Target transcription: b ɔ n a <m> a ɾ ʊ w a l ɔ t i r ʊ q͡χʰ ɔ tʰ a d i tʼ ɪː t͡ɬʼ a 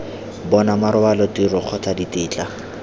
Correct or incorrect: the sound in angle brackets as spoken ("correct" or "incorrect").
correct